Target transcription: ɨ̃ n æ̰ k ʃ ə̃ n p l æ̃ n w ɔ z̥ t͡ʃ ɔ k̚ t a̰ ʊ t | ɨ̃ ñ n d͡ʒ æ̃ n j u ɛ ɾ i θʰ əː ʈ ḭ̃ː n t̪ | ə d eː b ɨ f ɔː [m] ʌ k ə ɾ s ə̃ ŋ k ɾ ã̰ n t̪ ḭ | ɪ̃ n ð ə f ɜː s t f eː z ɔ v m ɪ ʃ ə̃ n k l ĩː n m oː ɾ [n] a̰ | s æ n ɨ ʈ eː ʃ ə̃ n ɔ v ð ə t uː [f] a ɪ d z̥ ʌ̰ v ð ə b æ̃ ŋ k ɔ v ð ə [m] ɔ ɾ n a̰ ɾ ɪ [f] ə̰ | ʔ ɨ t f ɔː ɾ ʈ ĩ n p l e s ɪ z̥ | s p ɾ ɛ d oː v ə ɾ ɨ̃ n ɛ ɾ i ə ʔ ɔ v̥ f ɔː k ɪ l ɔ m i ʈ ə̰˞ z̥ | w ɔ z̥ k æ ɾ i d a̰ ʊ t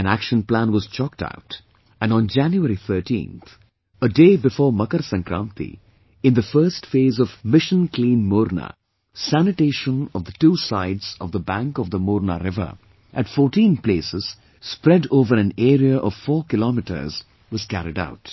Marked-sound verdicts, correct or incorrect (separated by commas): correct, correct, incorrect, correct, incorrect